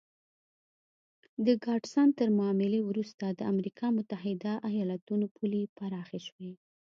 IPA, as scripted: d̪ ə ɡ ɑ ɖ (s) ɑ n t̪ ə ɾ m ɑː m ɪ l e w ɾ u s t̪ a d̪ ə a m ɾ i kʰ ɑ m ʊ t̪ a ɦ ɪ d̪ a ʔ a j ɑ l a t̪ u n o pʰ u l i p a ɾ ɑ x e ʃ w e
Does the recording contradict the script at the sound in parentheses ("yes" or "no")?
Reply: no